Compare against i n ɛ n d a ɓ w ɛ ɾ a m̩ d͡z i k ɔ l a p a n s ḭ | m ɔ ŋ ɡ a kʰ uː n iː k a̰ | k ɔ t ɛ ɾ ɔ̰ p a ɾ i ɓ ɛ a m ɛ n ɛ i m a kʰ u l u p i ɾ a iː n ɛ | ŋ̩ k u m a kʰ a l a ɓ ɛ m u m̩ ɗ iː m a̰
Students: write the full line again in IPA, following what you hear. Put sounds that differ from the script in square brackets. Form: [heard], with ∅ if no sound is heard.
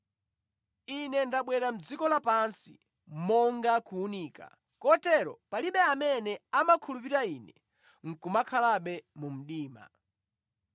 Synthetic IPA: i n ɛ n d a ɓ w ɛ ɾ a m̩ d͡z i k ɔ l a p a n s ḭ | m ɔ ŋ ɡ a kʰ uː n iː k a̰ | k ɔ t ɛ ɾ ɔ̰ p a [l] i ɓ ɛ a m ɛ n ɛ [a] m a kʰ u l u p i ɾ a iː n ɛ | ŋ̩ k u m a kʰ a l a ɓ ɛ m u m̩ ɗ iː m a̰